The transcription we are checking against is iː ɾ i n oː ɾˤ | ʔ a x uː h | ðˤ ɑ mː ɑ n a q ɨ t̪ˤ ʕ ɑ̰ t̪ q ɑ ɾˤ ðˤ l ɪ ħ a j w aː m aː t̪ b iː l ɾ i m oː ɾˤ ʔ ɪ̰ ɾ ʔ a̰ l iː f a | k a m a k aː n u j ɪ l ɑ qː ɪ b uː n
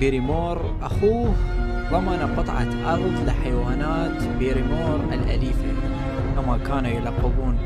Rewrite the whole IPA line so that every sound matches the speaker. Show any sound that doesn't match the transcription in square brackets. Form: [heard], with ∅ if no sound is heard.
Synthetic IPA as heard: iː ɾ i [m] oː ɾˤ | ʔ a x uː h | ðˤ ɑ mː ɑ n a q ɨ t̪ˤ ʕ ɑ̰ t̪ [ʔ] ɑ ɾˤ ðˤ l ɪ ħ a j w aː [n] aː t̪ b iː [∅] ɾ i m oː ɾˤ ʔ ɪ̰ [l] ʔ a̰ l iː f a | k a m a k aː n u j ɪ l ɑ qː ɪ b uː n